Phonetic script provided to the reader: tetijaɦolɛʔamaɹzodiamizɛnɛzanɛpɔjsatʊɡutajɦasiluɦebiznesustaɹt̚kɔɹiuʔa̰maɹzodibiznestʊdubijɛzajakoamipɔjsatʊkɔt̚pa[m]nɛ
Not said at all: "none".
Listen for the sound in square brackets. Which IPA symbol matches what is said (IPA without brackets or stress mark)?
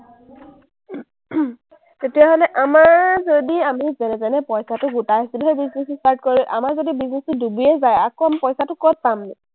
m